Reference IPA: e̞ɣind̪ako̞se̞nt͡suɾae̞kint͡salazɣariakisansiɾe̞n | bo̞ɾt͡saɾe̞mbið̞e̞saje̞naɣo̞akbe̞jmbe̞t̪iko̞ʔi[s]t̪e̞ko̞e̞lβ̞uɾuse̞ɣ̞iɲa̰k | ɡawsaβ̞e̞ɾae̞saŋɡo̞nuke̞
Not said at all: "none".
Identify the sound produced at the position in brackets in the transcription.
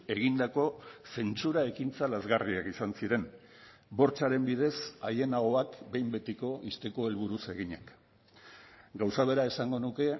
s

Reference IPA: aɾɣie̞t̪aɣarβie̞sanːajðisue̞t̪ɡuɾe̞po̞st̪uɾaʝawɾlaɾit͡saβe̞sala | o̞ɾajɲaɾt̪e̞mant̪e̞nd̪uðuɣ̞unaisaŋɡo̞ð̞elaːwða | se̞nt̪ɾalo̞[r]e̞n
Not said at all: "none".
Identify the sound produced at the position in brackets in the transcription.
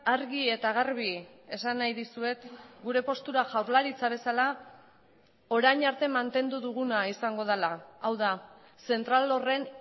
r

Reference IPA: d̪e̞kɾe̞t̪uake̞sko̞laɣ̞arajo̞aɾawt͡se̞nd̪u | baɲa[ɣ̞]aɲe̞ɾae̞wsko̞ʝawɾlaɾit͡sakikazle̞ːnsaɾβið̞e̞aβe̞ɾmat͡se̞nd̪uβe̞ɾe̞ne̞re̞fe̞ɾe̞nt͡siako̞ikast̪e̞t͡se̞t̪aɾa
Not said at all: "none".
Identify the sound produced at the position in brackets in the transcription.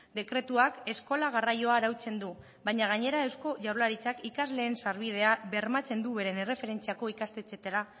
ɣ̞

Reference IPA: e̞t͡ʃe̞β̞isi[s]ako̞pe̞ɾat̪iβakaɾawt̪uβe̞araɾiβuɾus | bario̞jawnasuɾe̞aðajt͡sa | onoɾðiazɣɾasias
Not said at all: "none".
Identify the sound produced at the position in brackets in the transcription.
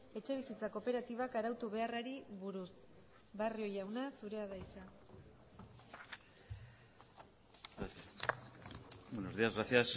t͡s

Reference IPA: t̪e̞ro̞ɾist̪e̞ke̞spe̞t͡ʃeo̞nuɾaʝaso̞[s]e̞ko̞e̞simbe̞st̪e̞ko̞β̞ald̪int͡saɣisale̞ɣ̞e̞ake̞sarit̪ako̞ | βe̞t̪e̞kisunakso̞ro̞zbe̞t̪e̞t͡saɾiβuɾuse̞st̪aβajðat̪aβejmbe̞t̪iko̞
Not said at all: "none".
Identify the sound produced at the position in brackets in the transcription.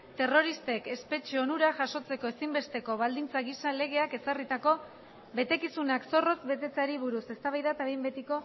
t͡s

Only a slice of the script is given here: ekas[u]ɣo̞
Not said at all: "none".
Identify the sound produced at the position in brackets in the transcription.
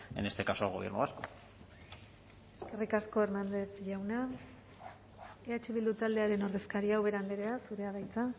o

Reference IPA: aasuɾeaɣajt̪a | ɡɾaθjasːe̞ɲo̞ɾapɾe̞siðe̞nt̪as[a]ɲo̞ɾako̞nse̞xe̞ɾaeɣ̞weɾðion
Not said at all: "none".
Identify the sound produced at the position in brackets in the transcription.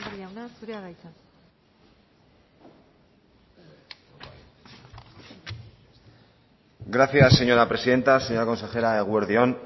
e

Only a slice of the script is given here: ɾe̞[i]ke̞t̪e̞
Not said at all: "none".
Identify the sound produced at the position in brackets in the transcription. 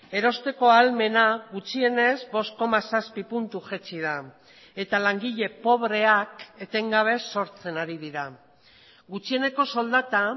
a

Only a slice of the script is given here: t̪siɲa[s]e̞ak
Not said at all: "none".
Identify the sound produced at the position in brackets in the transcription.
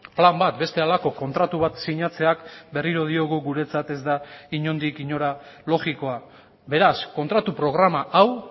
t͡s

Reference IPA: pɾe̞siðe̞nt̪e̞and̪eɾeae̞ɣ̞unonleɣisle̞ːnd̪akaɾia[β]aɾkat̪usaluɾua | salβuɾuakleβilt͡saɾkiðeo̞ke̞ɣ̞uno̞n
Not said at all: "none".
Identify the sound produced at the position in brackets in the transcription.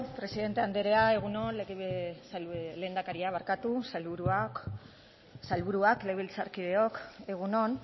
β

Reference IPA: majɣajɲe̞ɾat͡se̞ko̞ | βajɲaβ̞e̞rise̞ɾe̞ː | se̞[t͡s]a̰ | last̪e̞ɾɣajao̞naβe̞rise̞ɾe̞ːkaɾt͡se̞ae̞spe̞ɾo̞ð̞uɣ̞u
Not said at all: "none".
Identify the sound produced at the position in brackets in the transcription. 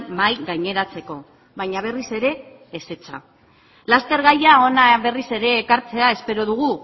t͡s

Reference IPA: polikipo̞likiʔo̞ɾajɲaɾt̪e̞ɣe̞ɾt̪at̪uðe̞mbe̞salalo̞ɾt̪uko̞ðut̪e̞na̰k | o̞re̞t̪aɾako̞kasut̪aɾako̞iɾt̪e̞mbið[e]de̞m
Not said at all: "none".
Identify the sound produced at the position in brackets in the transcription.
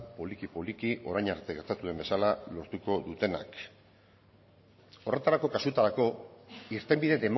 e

